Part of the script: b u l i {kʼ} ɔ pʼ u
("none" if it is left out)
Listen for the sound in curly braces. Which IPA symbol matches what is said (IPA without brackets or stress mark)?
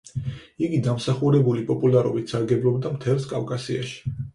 pʼ